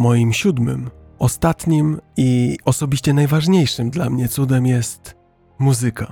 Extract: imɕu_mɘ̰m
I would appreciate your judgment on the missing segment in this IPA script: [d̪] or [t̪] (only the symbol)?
d̪